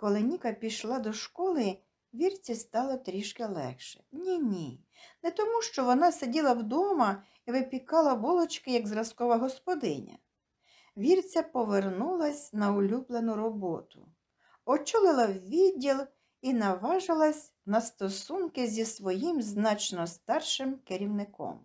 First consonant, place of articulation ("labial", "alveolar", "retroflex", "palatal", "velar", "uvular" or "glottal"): velar